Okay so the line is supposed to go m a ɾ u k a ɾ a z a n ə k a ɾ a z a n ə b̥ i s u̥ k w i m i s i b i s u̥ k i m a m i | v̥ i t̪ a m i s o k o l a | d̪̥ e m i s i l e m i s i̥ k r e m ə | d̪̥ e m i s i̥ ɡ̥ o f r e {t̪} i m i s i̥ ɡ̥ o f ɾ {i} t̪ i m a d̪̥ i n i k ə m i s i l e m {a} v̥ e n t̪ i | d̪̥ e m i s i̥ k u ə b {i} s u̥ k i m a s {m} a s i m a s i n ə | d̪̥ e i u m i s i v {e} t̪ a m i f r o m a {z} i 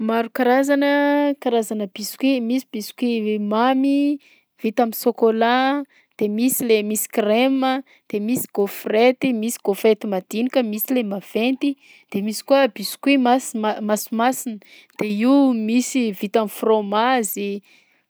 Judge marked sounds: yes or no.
yes, no, yes, yes, yes, no, yes

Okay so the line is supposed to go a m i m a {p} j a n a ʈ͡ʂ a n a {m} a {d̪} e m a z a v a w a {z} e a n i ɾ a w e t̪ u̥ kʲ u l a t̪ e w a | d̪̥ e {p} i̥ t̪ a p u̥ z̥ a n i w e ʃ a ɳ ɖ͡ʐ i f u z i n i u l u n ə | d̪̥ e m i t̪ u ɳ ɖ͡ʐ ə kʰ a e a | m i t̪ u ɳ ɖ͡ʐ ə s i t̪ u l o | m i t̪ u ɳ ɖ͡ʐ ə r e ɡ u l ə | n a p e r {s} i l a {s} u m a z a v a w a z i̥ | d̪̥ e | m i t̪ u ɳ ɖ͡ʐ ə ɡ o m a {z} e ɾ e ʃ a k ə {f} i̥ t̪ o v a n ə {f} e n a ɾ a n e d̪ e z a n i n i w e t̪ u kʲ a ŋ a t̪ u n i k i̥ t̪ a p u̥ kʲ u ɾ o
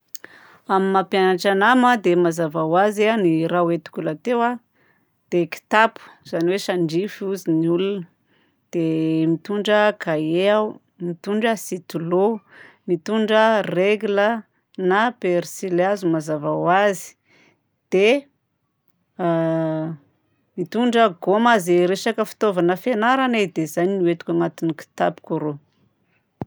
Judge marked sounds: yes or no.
yes, yes, yes, yes, no, yes, no, yes, yes, yes

